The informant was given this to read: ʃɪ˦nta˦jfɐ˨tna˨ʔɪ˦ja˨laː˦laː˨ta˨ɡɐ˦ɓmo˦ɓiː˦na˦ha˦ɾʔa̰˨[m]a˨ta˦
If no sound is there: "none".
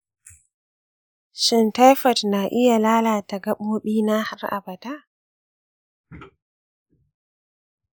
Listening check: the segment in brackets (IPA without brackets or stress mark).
b